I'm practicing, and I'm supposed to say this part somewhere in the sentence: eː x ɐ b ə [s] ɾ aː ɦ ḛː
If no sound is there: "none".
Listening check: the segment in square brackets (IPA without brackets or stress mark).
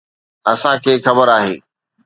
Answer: none